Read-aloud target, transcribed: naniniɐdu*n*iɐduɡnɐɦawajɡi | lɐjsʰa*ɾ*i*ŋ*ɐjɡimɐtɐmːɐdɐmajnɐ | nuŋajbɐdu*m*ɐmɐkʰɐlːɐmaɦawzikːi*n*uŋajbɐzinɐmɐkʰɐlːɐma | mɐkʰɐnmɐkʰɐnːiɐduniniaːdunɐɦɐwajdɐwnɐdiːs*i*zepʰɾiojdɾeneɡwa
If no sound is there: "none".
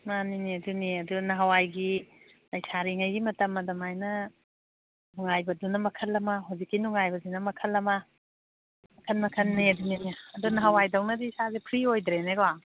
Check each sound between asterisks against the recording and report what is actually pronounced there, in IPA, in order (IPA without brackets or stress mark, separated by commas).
n, ɾ, ŋ, n, n, a